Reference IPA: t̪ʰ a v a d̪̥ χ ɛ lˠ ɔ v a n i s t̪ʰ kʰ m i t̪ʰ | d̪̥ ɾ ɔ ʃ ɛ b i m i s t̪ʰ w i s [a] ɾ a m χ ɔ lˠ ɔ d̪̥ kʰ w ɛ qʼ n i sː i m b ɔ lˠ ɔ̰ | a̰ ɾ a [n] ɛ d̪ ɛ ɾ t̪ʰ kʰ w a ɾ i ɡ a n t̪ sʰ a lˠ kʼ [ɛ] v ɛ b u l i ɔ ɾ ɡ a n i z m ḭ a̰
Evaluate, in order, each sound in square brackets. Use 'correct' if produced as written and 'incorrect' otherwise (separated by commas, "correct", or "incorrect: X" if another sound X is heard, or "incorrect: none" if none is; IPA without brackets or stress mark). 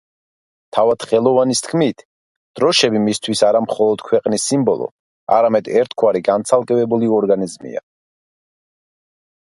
correct, incorrect: m, correct